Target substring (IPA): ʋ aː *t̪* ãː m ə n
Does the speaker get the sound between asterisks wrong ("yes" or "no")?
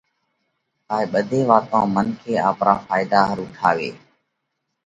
no